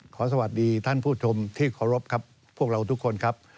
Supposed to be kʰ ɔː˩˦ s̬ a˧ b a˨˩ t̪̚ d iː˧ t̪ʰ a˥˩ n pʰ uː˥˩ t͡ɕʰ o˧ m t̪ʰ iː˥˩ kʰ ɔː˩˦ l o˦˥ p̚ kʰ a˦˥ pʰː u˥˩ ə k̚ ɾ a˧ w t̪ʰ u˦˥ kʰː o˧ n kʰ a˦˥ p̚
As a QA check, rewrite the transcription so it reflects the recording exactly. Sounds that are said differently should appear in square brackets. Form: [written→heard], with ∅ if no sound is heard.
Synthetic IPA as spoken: kʰ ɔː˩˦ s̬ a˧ [b→w] a˨˩ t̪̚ d iː˧ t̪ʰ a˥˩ n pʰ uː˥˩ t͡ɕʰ o˧ m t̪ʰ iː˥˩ kʰ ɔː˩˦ [l→ɾ] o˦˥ p̚ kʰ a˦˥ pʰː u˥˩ ə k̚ ɾ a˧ w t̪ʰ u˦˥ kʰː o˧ n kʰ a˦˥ p̚